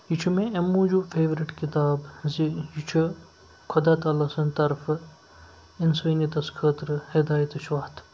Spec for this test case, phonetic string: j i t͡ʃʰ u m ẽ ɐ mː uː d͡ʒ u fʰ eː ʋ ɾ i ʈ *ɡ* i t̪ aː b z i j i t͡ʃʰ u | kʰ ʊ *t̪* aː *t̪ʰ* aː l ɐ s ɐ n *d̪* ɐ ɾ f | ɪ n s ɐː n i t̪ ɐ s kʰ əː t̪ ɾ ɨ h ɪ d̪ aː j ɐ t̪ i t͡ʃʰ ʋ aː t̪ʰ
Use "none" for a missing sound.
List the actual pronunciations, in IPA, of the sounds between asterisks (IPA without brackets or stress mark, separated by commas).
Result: k, d̪, t̪, t̪